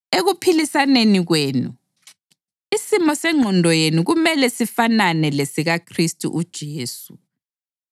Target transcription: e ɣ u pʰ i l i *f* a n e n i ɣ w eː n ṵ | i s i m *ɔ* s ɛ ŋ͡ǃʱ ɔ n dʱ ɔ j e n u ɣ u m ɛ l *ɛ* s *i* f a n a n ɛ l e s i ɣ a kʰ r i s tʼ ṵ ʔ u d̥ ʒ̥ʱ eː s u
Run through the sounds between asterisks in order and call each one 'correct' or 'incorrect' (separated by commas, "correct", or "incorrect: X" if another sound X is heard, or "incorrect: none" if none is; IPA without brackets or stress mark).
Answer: incorrect: s, correct, correct, correct